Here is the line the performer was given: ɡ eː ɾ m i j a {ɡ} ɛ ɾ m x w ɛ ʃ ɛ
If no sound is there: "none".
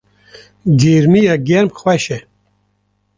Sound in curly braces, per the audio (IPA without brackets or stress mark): ɡ